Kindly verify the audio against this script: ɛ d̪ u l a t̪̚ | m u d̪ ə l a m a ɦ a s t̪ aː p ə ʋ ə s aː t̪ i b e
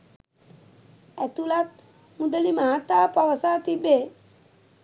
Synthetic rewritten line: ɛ t̪ u l a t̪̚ | m u d̪ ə l i m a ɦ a t̪ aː p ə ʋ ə s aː t̪ i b e